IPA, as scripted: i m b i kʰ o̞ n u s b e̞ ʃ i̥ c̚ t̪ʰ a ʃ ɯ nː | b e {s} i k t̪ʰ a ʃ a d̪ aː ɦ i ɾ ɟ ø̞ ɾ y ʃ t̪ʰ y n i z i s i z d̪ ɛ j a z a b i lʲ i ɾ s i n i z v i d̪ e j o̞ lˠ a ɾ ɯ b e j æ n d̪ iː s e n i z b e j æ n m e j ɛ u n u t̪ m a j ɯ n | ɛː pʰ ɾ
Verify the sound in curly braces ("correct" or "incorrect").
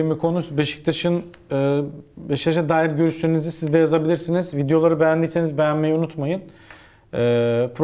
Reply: incorrect